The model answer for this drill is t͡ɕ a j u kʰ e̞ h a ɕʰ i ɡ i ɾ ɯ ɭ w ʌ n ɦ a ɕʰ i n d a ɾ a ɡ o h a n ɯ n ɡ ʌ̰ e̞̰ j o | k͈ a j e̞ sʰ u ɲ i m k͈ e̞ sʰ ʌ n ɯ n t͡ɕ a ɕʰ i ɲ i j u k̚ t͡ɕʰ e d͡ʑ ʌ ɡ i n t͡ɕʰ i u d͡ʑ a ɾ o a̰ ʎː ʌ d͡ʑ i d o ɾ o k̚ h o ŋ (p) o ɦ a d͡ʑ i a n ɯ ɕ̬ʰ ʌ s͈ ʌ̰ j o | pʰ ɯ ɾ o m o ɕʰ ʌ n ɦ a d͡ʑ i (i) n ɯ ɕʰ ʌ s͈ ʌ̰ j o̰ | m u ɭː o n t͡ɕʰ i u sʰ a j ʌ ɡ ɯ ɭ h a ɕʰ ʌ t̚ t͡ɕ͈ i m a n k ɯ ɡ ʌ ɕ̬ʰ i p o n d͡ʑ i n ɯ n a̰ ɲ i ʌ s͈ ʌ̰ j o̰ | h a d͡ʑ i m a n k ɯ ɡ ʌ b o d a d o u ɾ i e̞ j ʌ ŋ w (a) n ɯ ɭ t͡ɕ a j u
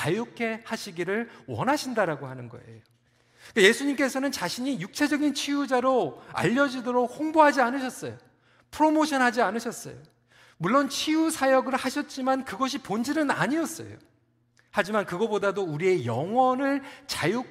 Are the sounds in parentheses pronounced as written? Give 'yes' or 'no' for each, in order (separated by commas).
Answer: no, no, no